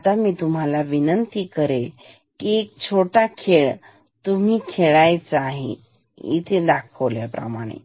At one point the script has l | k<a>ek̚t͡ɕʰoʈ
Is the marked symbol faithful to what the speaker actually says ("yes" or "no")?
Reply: no